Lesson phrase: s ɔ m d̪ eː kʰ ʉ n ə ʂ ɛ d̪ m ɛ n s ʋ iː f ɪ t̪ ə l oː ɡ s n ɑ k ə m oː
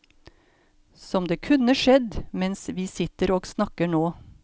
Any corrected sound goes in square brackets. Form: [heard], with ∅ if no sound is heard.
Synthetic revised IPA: s ɔ m d̪ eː kʰ ʉ n ə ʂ ɛ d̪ m ɛ n s ʋ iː [s] ɪ t̪ ə [ɾ] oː ɡ s n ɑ k ə [ɳ] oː